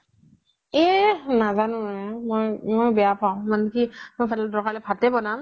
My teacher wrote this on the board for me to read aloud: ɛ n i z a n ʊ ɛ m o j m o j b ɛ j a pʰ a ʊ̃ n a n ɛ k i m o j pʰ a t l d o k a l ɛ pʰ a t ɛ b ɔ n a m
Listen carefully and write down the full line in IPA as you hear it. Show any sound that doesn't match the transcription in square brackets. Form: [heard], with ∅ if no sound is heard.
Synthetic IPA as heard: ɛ n [a] z a n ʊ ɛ m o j m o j b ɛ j a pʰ a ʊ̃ [m] a n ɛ k i m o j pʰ a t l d [ɔ] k a l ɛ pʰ a t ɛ b ɔ n a m